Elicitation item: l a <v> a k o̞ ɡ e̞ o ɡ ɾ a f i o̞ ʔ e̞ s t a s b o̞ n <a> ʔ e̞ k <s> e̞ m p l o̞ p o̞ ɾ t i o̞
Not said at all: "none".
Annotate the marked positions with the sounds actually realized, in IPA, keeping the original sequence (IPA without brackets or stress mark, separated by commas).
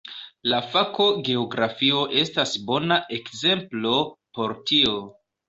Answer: f, a, z